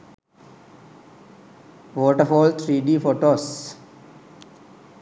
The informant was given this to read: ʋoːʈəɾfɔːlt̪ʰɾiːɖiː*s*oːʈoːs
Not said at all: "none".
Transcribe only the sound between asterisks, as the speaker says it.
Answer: f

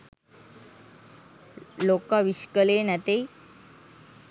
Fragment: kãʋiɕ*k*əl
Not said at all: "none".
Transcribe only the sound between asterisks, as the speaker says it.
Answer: k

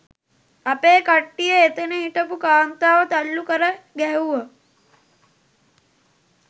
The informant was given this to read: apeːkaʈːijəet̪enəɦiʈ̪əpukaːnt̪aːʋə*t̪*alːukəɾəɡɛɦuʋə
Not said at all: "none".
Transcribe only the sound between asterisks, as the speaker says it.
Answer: t̪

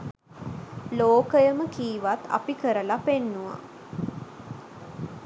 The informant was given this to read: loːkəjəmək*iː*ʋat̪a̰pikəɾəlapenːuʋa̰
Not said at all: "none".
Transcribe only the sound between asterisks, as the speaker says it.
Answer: iː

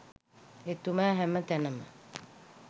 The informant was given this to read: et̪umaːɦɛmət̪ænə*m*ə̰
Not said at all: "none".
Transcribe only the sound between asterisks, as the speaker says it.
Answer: m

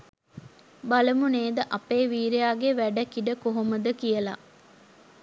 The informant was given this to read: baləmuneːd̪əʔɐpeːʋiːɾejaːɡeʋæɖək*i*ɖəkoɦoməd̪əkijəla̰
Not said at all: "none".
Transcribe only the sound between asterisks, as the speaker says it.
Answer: i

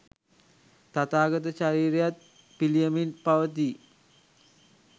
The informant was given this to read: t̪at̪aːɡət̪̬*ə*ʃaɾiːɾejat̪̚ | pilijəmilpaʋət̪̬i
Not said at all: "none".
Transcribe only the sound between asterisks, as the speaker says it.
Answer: ə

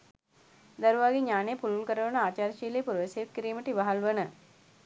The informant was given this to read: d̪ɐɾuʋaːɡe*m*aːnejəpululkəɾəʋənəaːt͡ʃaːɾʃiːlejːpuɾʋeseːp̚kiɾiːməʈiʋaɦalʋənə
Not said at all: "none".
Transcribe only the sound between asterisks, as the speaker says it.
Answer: ɲ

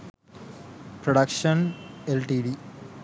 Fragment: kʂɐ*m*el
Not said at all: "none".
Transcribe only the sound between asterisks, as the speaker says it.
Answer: n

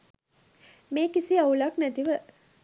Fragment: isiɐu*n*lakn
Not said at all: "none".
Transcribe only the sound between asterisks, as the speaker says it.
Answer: none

